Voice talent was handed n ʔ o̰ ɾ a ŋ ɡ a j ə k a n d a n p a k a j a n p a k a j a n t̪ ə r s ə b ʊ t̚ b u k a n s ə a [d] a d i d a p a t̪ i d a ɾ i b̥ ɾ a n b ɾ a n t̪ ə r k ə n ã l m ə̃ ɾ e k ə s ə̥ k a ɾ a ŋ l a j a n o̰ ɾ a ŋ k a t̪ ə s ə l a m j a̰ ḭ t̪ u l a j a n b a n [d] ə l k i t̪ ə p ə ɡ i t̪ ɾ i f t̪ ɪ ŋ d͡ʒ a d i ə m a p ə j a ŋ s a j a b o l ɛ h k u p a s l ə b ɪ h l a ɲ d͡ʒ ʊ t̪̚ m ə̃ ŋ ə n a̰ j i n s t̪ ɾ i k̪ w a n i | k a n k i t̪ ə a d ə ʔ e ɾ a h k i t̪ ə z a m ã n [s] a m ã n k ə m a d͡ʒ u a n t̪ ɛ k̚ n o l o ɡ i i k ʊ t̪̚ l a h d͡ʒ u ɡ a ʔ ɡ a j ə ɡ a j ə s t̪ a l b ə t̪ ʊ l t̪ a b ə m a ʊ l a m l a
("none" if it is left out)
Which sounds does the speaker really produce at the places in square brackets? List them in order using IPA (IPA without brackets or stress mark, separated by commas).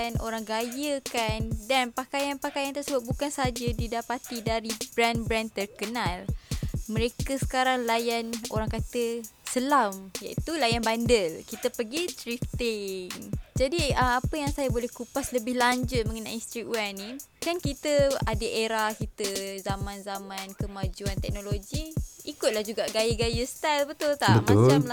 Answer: d͡ʒ, d, z